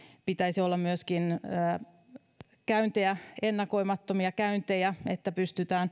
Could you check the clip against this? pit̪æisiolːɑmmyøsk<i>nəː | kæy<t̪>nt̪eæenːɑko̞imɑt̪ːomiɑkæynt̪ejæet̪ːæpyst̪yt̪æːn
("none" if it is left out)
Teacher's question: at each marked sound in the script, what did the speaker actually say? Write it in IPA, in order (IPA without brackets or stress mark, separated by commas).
i, none